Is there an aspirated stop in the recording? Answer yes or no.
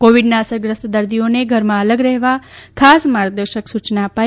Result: yes